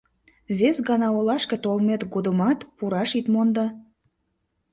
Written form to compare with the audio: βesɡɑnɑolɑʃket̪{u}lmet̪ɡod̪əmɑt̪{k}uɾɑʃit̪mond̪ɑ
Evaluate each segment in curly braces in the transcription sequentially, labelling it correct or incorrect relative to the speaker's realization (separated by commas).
incorrect, incorrect